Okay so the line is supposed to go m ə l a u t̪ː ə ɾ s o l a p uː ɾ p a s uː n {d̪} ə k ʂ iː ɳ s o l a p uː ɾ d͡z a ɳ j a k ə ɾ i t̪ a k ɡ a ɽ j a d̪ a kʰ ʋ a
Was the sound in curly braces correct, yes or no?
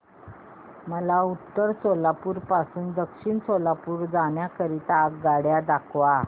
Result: yes